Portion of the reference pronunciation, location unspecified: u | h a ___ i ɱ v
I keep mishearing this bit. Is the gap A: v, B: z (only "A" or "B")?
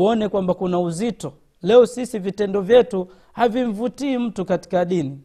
A